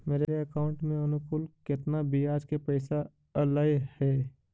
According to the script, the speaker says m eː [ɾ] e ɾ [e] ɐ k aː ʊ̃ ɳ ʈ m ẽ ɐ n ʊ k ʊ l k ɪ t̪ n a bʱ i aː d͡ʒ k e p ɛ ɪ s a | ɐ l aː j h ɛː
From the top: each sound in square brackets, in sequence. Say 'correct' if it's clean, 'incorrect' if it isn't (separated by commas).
correct, correct